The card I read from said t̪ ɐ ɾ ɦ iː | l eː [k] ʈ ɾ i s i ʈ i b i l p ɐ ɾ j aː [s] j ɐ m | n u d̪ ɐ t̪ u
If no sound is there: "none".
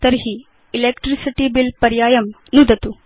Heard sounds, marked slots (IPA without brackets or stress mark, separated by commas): k, none